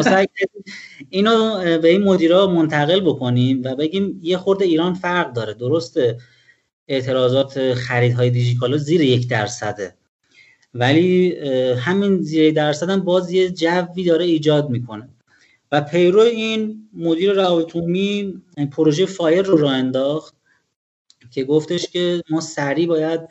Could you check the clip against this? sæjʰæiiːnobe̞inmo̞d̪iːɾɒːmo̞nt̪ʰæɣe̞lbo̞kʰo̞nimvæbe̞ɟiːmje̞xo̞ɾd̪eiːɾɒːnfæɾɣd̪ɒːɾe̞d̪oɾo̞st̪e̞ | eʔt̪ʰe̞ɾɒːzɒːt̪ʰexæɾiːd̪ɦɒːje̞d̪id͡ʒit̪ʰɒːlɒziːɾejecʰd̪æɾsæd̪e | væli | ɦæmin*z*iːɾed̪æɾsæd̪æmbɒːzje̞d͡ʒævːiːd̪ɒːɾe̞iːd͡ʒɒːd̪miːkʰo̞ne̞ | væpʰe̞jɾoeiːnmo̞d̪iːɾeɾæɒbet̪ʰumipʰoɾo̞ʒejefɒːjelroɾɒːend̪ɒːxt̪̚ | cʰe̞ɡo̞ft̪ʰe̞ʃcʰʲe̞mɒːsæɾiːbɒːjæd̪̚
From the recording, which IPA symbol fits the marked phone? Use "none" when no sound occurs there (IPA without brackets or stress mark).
z